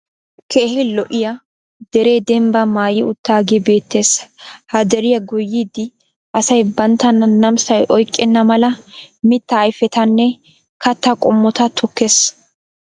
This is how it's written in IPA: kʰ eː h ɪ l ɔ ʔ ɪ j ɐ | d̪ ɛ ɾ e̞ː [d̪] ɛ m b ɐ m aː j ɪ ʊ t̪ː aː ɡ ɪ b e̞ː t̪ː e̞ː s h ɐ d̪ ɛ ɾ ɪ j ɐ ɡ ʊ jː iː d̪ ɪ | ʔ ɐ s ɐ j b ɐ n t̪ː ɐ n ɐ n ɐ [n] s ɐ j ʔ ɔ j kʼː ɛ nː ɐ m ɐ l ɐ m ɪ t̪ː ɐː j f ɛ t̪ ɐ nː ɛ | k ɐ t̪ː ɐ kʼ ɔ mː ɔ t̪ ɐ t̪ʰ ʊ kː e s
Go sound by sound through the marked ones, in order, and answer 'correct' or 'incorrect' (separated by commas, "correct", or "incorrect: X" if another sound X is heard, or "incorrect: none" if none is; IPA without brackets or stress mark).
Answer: correct, incorrect: m